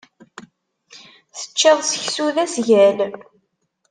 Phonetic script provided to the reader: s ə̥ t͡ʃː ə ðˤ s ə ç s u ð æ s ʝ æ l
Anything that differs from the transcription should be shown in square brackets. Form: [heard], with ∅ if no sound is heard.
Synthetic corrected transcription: [θ] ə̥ t͡ʃː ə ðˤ s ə ç s u ð æ s ʝ æ l